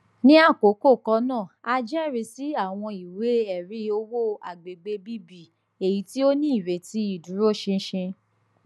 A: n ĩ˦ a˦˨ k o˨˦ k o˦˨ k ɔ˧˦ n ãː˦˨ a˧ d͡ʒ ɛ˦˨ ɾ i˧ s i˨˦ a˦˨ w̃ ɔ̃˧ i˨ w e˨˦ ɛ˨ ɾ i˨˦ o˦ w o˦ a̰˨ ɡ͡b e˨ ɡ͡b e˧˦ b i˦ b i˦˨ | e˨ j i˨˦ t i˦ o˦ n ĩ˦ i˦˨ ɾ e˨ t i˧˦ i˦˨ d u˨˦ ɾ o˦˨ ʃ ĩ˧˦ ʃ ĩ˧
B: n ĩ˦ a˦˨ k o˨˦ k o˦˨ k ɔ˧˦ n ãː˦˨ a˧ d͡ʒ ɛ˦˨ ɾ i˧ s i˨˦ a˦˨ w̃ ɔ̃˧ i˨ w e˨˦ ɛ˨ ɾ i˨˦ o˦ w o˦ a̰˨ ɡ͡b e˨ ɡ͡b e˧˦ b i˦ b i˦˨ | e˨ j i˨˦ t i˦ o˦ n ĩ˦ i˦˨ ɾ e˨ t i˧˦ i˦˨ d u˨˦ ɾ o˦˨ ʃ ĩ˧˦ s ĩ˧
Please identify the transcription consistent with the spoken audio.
A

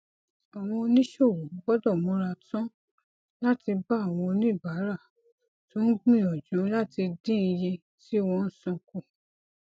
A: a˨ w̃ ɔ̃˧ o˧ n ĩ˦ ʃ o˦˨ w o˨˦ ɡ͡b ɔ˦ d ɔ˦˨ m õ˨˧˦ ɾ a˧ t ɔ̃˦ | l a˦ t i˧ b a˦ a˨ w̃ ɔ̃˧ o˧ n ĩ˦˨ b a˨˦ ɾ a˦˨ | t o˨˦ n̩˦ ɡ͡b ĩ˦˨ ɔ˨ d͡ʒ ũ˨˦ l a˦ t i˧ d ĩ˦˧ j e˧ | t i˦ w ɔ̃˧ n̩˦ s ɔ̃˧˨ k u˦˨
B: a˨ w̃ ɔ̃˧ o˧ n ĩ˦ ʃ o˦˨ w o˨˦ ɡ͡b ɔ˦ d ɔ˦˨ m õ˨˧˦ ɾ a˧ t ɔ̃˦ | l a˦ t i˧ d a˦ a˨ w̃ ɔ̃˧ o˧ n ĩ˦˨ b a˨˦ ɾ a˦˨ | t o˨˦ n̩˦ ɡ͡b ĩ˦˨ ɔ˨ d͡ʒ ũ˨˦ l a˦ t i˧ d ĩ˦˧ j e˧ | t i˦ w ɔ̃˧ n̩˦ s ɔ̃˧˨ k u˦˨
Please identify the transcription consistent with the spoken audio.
A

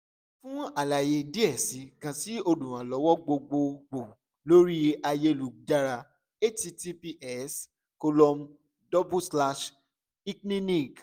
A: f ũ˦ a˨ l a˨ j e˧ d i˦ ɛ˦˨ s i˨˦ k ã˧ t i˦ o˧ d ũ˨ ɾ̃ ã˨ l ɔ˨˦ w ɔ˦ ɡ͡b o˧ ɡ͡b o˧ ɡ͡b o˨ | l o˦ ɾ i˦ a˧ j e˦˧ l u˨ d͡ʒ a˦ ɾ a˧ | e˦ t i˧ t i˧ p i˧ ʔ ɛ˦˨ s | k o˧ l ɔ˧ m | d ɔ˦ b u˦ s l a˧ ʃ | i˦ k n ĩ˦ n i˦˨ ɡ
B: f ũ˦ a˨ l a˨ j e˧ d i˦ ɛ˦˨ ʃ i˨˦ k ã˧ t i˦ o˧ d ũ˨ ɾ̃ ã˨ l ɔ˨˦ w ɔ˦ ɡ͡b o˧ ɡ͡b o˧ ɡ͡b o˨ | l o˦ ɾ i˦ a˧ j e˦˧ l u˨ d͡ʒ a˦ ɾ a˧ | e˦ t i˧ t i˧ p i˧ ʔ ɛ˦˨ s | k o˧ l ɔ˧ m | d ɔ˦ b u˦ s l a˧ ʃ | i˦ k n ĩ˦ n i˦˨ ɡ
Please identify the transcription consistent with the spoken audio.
A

